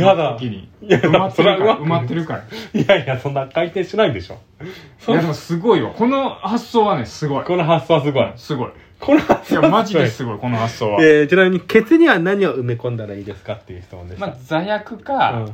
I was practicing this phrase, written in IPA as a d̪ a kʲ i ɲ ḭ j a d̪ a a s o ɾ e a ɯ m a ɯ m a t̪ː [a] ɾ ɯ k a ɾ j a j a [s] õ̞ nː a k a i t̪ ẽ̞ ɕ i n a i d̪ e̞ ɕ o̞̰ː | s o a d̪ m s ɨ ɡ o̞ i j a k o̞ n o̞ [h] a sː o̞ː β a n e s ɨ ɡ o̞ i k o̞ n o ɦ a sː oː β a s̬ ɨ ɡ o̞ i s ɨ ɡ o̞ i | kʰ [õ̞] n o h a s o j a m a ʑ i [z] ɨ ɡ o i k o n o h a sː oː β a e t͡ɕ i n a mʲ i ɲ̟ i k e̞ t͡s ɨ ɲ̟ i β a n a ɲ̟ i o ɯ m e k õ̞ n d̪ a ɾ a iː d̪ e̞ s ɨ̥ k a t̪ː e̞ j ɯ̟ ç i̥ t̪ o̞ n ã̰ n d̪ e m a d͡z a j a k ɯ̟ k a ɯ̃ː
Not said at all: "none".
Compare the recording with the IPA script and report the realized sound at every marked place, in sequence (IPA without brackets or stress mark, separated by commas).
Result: e, s, h, o̞, s